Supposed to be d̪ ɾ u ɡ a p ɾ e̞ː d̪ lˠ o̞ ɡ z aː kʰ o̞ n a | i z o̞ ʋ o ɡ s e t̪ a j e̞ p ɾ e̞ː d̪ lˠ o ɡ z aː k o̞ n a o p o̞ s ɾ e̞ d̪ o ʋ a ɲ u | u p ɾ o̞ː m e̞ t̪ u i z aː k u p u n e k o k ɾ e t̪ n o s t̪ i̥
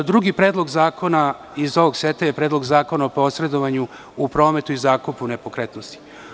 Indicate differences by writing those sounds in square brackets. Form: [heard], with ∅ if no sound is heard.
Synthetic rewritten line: d̪ ɾ u ɡ [i] p ɾ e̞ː d̪ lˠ o̞ ɡ z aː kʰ o̞ n a | i z o̞ ʋ o ɡ s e t̪ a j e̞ p ɾ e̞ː d̪ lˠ o ɡ z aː k o̞ n a o p o̞ s ɾ e̞ d̪ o ʋ a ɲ u | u p ɾ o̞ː m e̞ t̪ u i z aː k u p u n e [p] o k ɾ e t̪ n o s t̪ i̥